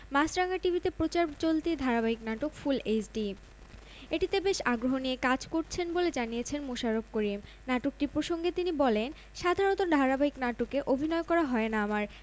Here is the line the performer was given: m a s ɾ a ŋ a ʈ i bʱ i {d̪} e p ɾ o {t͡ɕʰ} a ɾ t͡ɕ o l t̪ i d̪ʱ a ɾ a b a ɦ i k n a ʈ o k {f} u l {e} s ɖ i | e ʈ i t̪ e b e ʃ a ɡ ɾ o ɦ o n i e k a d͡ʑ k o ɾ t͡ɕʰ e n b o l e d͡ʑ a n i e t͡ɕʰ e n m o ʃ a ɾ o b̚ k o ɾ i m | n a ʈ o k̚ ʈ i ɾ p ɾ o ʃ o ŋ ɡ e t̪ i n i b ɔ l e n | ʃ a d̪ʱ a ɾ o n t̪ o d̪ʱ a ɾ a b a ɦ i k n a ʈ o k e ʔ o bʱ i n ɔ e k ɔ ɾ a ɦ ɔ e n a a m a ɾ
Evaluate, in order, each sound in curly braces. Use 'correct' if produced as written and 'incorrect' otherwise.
incorrect, incorrect, correct, correct

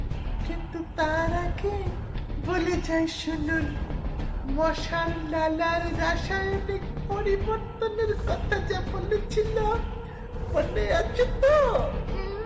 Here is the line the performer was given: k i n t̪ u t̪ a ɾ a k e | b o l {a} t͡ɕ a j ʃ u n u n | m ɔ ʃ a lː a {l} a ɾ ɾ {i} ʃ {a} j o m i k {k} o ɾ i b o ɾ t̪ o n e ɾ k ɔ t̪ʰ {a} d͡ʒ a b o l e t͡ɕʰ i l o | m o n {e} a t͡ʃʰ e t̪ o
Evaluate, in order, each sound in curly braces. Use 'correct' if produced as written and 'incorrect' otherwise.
incorrect, correct, incorrect, correct, incorrect, correct, correct

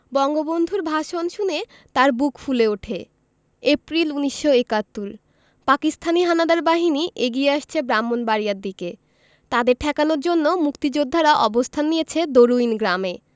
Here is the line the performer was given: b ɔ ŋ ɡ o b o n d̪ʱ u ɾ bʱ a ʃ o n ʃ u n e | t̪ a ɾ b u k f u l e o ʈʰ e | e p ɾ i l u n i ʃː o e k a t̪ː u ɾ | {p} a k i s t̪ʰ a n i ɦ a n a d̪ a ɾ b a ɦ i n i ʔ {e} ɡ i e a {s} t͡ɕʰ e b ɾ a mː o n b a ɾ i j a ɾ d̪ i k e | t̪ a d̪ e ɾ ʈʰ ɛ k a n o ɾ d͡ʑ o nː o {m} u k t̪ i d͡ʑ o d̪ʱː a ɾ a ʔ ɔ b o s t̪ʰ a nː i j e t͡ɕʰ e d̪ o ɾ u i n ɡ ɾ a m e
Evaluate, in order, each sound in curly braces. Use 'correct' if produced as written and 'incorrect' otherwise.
correct, correct, incorrect, correct

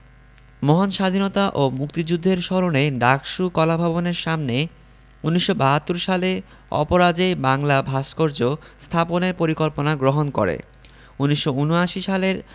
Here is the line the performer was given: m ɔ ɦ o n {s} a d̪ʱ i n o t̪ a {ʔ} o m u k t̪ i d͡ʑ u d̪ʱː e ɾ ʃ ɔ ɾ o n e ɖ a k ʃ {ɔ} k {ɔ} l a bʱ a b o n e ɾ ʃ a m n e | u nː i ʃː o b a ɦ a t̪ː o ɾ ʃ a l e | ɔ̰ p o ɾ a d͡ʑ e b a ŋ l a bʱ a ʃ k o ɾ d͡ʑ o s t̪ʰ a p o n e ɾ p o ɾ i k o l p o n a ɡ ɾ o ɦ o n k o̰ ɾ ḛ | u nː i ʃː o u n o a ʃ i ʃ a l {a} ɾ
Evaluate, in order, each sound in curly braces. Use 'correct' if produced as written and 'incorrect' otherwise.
incorrect, correct, incorrect, correct, incorrect

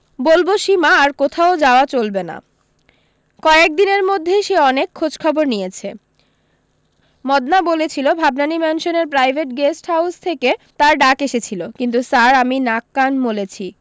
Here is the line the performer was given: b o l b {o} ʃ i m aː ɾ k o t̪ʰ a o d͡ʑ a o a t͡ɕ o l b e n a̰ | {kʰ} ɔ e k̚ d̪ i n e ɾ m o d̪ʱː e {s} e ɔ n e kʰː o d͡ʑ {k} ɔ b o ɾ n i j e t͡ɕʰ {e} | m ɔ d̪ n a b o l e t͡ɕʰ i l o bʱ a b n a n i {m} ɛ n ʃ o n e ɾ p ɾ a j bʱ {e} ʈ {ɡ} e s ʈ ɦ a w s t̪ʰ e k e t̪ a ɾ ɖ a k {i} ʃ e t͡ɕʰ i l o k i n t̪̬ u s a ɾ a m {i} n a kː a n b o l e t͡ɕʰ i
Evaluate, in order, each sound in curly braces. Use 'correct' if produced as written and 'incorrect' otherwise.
correct, incorrect, incorrect, incorrect, correct, correct, correct, correct, incorrect, correct

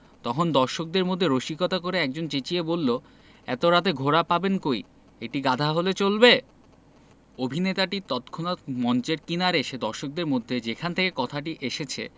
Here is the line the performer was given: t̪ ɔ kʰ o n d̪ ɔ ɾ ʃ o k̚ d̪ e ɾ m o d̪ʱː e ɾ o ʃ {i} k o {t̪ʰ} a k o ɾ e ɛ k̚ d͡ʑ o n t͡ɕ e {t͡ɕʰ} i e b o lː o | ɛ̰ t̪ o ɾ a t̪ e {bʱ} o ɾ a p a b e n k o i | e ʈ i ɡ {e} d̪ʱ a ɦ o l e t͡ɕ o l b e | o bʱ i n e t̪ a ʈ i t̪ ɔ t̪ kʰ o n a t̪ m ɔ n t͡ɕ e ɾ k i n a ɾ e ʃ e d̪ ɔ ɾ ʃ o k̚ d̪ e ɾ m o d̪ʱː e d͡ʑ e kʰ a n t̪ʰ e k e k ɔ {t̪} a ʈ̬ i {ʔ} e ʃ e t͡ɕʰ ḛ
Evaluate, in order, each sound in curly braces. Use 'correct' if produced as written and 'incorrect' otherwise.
correct, incorrect, incorrect, incorrect, incorrect, incorrect, correct

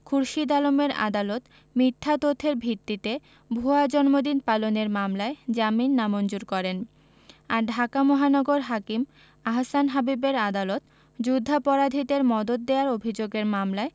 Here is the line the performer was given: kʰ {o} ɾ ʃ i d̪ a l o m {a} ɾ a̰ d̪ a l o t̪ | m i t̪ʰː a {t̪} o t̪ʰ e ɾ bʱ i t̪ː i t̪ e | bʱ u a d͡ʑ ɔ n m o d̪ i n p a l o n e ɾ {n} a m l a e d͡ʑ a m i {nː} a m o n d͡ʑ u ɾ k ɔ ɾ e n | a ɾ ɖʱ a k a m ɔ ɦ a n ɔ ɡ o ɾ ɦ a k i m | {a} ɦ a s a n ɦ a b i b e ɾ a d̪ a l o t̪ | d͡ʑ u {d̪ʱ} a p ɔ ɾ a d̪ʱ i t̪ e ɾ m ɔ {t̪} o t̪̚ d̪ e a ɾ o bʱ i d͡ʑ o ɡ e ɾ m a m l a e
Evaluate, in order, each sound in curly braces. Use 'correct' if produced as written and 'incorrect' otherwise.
incorrect, incorrect, correct, incorrect, correct, correct, incorrect, incorrect

